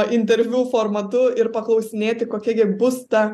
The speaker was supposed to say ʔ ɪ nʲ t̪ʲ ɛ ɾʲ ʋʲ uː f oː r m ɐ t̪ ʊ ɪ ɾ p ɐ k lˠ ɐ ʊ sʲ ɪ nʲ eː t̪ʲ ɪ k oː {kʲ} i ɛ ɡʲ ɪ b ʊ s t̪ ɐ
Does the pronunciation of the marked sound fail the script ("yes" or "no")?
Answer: no